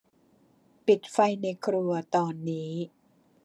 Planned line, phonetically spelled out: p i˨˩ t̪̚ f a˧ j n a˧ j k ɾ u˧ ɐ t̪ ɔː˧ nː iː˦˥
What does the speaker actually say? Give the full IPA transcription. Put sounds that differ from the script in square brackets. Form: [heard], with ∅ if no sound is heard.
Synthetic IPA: p i˨˩ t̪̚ f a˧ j n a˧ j [kʰ] ɾ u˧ ɐ t̪ ɔː˧ nː iː˦˥